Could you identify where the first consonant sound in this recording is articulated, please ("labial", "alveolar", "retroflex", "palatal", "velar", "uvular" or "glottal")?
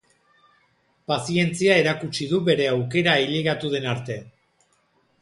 labial